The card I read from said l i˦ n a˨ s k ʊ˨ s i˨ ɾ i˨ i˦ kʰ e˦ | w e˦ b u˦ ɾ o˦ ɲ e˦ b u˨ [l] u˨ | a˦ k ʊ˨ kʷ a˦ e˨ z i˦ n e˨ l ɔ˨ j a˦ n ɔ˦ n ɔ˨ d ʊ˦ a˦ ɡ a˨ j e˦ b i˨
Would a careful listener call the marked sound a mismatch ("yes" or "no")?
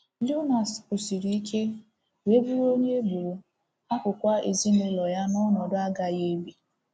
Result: yes